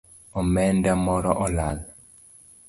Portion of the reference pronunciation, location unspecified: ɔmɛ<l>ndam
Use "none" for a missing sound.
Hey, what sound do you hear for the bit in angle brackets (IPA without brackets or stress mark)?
none